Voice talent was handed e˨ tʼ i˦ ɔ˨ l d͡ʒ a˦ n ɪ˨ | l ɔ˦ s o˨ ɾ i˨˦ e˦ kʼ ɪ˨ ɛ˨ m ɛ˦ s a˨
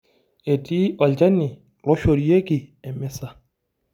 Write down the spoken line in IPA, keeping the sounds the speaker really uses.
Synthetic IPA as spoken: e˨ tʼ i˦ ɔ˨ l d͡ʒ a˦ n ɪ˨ | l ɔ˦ ʃ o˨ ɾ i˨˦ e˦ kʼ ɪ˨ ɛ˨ m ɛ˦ s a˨